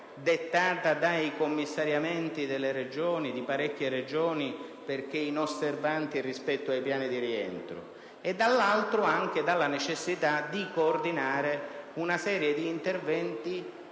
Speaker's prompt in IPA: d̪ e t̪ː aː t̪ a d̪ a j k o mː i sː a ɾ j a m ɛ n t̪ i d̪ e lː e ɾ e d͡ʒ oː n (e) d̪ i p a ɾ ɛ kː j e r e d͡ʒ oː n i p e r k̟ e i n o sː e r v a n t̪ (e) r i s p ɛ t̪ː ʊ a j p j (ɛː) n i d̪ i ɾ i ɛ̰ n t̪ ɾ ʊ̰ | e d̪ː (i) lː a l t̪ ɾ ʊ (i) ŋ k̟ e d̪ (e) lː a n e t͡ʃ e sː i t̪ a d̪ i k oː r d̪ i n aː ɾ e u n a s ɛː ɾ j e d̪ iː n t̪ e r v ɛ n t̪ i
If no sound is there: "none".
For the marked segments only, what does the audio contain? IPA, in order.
i, i, aː, a, a, a

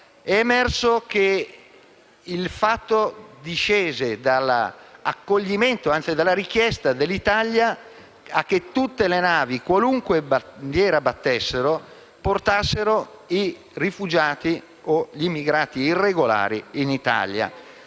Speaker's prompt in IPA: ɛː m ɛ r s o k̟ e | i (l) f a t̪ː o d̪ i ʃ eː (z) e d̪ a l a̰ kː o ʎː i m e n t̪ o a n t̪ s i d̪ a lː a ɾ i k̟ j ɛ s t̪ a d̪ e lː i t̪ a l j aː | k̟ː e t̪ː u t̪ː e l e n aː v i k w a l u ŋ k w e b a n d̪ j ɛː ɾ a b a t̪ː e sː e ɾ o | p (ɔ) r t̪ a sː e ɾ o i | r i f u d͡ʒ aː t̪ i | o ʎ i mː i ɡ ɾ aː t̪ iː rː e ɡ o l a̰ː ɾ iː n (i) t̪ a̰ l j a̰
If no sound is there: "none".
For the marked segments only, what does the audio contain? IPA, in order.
l, z, o, i

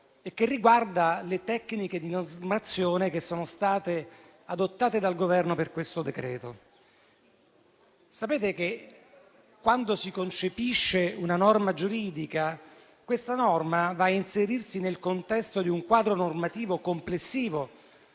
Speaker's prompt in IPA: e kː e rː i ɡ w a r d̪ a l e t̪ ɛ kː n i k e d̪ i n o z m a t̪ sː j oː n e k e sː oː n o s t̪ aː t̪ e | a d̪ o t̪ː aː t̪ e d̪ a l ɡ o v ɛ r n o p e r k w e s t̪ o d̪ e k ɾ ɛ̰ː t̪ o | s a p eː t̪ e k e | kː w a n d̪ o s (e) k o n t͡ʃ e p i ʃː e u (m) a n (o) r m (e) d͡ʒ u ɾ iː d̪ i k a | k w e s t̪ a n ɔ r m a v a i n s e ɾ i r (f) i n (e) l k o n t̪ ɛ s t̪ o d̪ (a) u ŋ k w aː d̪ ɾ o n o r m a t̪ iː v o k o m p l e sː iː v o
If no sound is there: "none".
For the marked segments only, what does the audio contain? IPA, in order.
i, n, ɔ, a, s, e, i

